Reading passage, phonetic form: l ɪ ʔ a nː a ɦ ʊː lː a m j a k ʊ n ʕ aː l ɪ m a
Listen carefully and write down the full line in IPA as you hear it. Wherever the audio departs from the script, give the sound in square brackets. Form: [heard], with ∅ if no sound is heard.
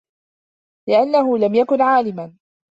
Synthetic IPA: l ɪ ʔ a nː a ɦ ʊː [l] a m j a k ʊ n ʕ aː l ɪ m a